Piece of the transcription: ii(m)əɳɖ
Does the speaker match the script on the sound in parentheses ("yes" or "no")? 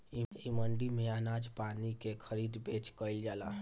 yes